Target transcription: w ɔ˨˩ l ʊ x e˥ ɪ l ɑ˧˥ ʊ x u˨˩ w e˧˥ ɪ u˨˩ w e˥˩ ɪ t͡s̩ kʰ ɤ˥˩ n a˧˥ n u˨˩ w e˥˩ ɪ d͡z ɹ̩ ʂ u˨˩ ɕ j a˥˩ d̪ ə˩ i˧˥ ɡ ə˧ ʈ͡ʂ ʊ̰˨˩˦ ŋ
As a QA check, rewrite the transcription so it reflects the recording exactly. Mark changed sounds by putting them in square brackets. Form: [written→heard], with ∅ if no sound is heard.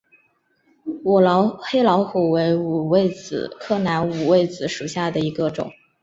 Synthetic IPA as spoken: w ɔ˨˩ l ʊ x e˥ ɪ l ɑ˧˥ ʊ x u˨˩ w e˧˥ ɪ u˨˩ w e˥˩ ɪ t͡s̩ kʰ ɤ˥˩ n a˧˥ n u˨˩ w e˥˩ ɪ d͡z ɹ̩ ʂ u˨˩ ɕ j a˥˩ d̪ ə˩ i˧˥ ɡ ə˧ ʈ͡ʂ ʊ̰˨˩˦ ŋ